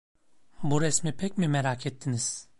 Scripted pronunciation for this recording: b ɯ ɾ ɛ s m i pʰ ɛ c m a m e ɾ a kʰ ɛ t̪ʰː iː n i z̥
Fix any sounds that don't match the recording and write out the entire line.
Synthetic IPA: b u ɾ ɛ s m i pʰ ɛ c m i m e ɾ a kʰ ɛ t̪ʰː i n i z̥